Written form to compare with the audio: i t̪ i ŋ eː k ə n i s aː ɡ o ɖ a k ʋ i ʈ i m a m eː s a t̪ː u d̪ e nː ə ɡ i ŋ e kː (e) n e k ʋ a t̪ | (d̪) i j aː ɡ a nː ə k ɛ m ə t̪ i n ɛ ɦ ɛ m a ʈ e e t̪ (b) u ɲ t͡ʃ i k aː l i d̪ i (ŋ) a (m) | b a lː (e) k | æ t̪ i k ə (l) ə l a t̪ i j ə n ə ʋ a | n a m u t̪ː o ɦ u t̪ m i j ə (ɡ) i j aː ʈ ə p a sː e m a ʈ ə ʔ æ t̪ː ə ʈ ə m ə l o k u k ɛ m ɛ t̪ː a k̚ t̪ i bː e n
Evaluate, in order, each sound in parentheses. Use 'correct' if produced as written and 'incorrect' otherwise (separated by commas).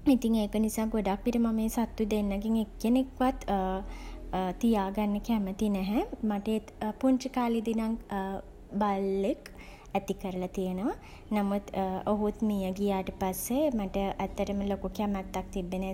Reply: correct, incorrect, incorrect, incorrect, incorrect, correct, incorrect, correct